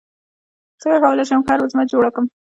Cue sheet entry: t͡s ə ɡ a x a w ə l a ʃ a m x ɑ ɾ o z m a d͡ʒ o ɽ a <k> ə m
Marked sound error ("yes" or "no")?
no